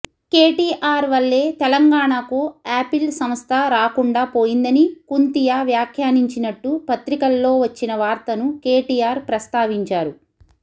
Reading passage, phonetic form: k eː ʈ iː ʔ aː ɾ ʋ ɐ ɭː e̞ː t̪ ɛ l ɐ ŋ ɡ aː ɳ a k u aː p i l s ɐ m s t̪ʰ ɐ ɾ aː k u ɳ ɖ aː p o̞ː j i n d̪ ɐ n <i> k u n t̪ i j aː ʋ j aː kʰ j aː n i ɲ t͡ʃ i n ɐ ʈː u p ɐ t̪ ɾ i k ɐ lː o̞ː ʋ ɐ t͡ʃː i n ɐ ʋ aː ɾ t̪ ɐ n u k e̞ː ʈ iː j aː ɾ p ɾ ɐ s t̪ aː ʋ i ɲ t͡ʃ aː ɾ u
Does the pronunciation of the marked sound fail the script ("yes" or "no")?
no